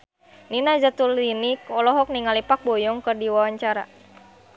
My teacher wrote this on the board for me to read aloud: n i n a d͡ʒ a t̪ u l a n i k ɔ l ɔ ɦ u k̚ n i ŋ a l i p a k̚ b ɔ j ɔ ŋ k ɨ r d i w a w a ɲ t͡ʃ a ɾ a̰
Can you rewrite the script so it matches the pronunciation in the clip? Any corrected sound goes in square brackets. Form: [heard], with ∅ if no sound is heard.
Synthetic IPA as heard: n i n a d͡ʒ a t̪ u l [i] n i k ɔ l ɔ ɦ [ɔ] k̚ n i ŋ a l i p a k̚ b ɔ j ɔ ŋ k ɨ r d i w a w a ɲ t͡ʃ a ɾ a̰